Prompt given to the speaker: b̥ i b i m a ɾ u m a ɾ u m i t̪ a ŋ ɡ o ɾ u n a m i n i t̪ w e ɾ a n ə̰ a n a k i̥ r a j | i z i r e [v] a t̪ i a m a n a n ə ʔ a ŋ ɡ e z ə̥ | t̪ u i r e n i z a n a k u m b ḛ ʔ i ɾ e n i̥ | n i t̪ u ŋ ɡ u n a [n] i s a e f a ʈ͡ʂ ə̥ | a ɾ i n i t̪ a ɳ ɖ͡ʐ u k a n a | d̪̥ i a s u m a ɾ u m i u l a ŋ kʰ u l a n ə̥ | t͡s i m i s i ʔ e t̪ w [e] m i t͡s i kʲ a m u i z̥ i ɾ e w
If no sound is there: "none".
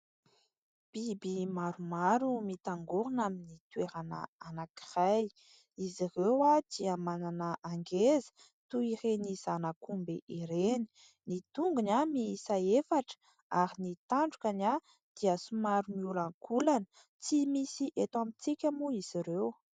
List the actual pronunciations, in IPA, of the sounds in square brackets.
w, m, a

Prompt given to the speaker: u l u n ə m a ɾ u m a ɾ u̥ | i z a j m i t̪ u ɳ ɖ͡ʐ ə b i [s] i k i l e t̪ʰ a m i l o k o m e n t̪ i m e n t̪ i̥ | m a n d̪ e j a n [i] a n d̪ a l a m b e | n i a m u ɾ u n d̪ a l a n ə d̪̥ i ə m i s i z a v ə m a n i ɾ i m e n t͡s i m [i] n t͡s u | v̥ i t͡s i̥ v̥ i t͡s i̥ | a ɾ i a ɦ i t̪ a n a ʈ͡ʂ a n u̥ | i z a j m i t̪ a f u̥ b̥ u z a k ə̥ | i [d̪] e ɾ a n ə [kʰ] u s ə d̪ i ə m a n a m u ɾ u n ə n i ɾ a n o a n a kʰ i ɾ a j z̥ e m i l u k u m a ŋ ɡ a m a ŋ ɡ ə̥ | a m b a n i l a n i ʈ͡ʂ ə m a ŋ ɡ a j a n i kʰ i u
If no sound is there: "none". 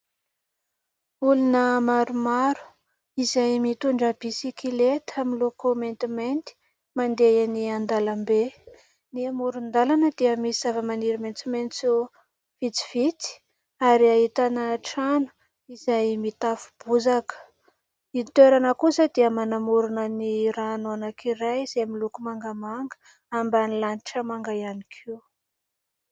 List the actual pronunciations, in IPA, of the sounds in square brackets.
s, i, e, t̪, k

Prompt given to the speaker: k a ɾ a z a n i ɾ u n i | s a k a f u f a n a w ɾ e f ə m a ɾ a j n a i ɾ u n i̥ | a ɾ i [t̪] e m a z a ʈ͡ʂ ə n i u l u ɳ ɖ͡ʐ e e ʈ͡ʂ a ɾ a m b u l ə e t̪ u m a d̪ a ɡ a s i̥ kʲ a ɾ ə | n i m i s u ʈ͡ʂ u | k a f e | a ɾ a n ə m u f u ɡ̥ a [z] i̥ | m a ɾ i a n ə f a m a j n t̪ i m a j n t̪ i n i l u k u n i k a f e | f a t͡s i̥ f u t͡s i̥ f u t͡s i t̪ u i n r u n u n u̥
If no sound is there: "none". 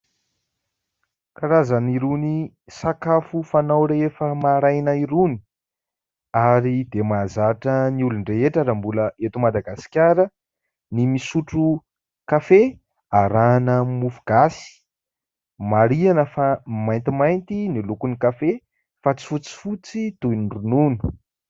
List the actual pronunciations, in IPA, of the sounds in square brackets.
d̪, s

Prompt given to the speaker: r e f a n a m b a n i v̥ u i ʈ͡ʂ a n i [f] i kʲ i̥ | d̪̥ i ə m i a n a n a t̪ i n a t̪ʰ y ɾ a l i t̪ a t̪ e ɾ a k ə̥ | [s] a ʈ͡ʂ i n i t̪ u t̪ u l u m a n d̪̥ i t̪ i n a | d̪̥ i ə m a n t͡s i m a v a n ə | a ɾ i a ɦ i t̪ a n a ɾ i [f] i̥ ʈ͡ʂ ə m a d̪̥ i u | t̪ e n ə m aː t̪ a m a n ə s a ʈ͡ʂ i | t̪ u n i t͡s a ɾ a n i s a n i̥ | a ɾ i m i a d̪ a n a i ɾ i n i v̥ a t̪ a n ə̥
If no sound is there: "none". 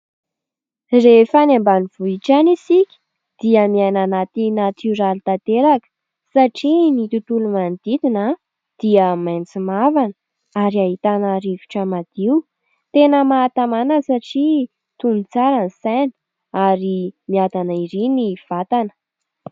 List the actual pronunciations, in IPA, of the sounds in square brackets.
s, s, v

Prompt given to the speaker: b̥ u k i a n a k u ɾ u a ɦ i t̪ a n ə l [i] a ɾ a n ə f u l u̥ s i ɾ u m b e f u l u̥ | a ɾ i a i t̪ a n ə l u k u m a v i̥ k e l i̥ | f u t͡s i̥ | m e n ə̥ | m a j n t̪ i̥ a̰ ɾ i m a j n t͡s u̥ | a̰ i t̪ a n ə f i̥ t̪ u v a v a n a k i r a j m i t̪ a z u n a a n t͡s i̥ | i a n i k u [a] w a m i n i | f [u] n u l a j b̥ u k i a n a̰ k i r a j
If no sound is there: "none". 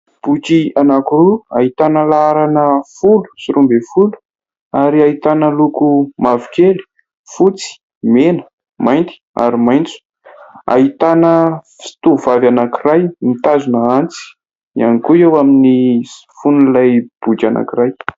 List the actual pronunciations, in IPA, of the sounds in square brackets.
a, e, u

